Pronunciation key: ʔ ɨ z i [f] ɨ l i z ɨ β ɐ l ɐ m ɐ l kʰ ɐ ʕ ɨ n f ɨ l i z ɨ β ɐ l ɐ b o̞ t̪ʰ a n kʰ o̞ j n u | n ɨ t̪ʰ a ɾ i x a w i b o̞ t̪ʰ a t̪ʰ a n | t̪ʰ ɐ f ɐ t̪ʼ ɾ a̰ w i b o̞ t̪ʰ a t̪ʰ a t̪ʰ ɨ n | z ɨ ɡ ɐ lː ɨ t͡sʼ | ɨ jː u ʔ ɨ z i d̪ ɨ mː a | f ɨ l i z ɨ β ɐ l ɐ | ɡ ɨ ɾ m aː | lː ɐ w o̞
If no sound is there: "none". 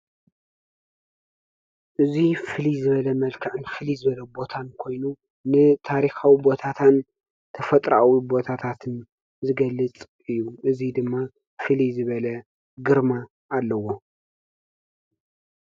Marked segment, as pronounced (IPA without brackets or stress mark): f